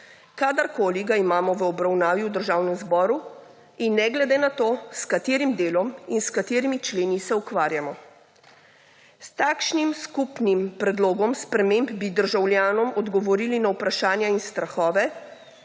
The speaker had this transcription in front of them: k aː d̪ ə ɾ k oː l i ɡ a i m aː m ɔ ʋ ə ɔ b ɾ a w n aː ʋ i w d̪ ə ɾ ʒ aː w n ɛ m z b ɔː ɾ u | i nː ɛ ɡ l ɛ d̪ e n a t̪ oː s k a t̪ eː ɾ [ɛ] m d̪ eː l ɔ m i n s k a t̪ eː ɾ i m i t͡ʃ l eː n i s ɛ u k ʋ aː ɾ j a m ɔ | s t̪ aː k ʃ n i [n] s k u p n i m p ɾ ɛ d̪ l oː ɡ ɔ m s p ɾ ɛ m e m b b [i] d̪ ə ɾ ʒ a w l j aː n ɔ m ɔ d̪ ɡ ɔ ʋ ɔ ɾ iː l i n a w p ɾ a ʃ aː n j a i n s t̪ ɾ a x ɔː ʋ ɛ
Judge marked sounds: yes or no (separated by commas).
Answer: no, no, yes